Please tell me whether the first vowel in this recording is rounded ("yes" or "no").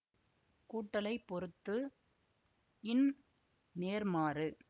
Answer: yes